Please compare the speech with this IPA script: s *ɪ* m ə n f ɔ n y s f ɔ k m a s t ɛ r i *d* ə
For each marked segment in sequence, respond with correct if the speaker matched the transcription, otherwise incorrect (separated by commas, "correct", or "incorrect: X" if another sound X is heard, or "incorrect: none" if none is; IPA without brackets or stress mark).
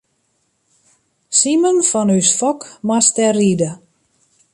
incorrect: i, correct